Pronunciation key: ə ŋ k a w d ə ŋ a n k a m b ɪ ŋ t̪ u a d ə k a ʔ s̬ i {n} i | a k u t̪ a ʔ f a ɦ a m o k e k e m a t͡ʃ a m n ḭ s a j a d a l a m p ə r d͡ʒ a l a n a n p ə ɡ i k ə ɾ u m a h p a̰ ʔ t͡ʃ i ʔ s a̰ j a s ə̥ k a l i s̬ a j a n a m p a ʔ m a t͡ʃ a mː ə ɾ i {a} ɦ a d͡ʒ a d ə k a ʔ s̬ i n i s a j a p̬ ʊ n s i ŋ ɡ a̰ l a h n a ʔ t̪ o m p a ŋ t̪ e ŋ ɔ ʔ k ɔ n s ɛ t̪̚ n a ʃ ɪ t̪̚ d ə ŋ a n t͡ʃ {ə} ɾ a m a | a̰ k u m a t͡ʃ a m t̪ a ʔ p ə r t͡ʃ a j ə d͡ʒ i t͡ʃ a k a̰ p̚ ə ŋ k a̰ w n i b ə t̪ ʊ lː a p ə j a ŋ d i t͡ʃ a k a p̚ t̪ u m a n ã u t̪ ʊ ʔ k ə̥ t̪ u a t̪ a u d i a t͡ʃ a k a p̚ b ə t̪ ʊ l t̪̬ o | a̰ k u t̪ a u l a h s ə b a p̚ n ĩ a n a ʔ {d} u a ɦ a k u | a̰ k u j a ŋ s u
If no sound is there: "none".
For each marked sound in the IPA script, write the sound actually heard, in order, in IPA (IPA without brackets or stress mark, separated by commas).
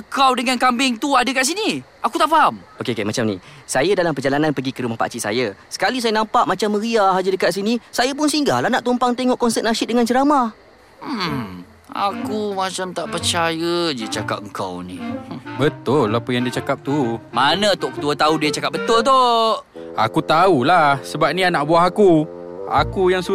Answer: n, a, ə, b